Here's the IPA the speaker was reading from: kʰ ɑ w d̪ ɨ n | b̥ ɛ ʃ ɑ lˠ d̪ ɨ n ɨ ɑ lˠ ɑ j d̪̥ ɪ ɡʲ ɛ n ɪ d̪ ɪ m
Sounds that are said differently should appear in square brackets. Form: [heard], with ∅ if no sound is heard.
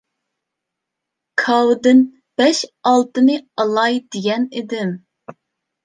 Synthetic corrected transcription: kʰ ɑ w d̪ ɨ n | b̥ ɛ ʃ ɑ lˠ [t̪] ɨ n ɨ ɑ lˠ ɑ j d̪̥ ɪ ɡʲ ɛ n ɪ d̪ ɪ m